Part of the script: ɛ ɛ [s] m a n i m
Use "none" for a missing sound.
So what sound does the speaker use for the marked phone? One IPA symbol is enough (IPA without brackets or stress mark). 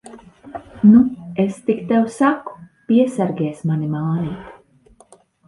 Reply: s